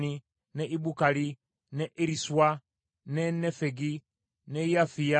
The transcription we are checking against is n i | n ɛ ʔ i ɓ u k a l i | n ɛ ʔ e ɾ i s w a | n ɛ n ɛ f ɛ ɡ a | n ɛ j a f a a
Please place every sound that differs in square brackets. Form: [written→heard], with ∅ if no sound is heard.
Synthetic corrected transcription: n i | n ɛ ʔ i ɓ u k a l i | n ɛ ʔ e ɾ i s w a | n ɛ n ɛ f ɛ ɡ [a→i] | n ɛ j a f [a→i] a